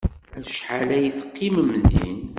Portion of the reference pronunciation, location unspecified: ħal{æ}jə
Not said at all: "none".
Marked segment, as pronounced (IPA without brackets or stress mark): æ